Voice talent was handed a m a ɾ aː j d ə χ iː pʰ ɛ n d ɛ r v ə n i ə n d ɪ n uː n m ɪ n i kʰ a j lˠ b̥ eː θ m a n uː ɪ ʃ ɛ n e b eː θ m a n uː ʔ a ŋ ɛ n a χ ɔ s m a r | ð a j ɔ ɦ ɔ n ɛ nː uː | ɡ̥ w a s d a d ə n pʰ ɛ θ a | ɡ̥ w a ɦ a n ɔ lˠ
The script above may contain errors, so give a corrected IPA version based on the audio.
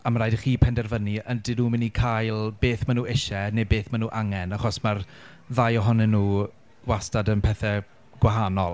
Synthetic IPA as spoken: a m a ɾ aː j d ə χ iː pʰ ɛ n d ɛ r v ə n i ə n d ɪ n uː m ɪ n i kʰ a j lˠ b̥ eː θ m a n uː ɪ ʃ ɛ n e b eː θ m a n uː ʔ a ŋ ɛ n a χ ɔ s m a r | ð a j ɔ ɦ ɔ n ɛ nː uː | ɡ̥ w a s t a d ə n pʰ ɛ θ ɛ | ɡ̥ w a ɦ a n ɔ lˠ